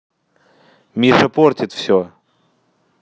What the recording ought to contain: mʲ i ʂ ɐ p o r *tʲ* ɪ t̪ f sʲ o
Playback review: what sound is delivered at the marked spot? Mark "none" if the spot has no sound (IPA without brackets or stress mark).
tʲ